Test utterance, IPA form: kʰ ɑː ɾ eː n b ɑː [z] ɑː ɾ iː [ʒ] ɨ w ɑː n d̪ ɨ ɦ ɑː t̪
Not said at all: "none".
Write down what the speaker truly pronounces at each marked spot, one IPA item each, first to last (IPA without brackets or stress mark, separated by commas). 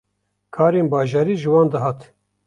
ʒ, ʒ